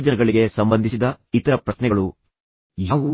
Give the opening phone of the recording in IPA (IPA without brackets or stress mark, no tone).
d͡ʒ